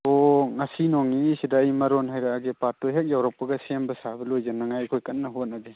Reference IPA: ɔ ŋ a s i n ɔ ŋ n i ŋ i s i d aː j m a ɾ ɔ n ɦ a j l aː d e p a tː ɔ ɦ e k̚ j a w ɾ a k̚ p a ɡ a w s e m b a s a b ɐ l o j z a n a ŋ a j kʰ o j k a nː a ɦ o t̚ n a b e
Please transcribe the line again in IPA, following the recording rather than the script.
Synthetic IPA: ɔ ŋ a s i n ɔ ŋ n i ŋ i s i d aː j m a ɾ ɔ n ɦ a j ɾ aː ɡ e p a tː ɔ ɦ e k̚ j a w ɾ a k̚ p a ɡ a s e m b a s a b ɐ l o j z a n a ŋ a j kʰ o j k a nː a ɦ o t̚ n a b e